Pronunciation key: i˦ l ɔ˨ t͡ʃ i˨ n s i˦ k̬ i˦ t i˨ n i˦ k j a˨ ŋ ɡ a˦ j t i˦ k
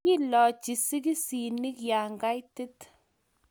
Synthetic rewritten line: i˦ l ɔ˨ t͡ʃ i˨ s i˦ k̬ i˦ s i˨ n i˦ k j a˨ ŋ ɡ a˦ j t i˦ t